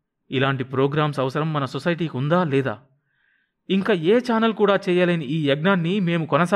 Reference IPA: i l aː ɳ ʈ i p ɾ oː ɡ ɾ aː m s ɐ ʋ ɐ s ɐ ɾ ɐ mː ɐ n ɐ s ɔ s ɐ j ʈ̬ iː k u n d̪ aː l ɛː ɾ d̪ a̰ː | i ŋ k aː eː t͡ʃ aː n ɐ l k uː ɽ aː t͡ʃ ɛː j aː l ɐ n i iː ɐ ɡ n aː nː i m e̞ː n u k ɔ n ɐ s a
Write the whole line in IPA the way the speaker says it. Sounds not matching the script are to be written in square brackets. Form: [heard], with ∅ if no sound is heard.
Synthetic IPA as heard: i l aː ɳ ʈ i p ɾ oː ɡ ɾ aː m s ɐ ʋ ɐ s ɐ ɾ ɐ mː ɐ n ɐ s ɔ s ɐ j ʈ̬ iː k u n d̪ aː l ɛː [∅] d̪ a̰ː | i ŋ k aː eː t͡ʃ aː n ɐ l k uː ɽ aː t͡ʃ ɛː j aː l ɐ n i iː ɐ ɡ n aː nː i m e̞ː [m] u k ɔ n ɐ s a